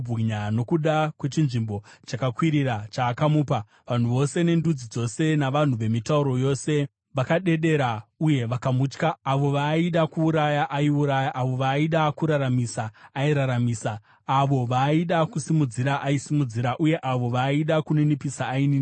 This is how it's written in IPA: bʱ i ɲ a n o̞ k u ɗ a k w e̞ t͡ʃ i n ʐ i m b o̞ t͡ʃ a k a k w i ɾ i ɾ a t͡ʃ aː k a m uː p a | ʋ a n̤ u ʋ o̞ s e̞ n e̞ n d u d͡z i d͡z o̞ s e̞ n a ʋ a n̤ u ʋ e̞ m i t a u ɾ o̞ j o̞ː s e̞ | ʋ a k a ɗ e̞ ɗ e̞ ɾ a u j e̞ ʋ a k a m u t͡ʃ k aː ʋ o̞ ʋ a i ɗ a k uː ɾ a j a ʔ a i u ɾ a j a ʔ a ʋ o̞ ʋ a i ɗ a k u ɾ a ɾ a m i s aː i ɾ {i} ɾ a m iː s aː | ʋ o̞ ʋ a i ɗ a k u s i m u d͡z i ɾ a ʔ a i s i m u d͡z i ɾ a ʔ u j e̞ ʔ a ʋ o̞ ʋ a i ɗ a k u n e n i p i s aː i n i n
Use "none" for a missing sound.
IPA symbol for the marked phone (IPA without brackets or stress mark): a